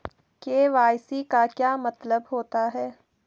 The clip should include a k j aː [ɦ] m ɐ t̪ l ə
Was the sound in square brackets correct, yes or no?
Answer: no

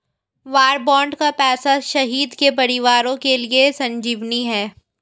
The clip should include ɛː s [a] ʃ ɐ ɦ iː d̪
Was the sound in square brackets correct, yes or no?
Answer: yes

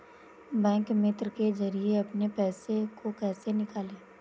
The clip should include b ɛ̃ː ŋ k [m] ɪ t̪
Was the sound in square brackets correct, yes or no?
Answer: yes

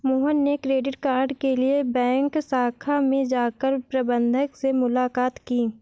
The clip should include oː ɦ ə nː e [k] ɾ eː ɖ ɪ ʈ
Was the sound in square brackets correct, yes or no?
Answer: yes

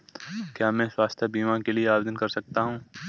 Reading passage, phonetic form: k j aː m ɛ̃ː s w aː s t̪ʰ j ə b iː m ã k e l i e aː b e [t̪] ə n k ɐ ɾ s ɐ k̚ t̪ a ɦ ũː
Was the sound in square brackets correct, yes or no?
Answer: no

